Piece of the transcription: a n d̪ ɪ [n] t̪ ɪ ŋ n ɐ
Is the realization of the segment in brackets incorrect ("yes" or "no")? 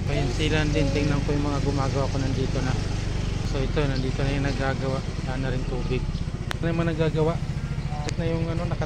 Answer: no